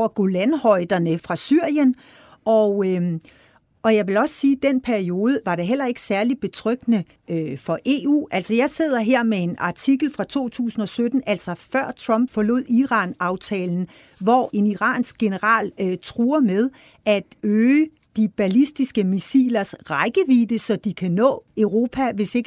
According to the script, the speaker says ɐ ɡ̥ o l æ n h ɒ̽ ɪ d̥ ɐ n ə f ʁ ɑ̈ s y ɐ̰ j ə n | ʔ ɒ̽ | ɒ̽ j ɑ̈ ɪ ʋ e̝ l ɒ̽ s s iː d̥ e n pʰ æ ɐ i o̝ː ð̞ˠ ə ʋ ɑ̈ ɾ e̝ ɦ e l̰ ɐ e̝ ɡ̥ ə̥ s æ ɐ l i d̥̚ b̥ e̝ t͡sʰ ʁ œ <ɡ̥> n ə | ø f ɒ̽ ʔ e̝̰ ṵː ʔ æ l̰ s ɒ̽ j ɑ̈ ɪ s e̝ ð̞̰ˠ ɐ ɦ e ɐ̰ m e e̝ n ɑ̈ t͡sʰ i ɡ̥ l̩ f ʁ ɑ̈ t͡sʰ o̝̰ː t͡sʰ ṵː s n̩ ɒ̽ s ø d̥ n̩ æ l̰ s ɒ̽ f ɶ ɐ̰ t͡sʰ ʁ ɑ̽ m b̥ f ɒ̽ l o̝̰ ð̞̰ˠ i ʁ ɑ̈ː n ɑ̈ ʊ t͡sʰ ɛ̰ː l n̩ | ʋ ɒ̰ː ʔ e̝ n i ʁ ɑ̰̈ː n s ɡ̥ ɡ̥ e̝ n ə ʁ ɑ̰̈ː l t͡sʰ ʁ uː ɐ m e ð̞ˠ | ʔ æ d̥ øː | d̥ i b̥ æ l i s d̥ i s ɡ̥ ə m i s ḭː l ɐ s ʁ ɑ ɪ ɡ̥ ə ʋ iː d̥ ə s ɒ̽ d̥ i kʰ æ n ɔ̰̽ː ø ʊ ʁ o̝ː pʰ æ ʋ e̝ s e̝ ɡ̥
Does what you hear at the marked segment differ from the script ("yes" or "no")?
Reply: no